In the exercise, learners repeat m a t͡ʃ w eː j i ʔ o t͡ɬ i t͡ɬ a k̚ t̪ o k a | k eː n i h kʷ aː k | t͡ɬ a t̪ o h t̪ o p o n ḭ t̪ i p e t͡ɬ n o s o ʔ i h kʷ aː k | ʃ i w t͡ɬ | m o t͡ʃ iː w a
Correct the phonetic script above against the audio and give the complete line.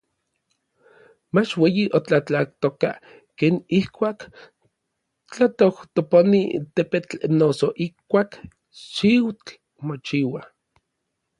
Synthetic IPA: m a t͡ʃ w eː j i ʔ o t͡ɬ a t͡ɬ a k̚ t̪ o k a | k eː n i h kʷ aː k | t͡ɬ a t̪ o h t̪ o p o n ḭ t̪ e p e t͡ɬ n o s o ʔ i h kʷ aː k | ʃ i w t͡ɬ | m o t͡ʃ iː w a